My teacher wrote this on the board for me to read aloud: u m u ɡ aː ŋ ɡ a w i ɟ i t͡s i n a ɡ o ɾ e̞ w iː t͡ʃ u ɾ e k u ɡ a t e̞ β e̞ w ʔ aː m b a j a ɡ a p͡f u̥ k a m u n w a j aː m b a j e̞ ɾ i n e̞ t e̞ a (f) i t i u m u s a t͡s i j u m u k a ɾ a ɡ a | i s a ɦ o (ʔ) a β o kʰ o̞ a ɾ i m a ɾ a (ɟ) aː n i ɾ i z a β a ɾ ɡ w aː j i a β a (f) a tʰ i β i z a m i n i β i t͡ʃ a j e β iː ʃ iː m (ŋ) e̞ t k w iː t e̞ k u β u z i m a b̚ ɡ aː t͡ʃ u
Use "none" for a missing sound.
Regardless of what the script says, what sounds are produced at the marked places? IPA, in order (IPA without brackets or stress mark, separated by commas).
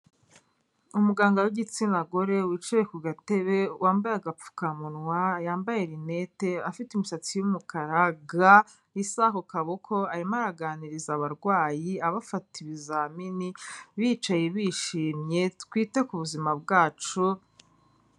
f, k, ɡ, f, ɲ